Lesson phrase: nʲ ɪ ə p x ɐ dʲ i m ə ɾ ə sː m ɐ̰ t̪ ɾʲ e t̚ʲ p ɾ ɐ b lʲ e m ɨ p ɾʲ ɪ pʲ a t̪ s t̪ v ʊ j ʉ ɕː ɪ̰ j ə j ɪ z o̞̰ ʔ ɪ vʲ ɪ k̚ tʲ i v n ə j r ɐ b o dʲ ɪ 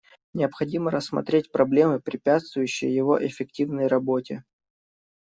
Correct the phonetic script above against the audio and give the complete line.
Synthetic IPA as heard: nʲ ɪ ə p x ɐ dʲ i m ə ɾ ə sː m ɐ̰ t̪ ɾʲ e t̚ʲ p ɾ ɐ b lʲ e m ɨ p ɾʲ ɪ pʲ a t̪ s t̪ v ʊ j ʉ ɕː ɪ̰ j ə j ɪ v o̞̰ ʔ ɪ fʲ ɪ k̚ tʲ i v n ə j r ɐ b o tʲ ɪ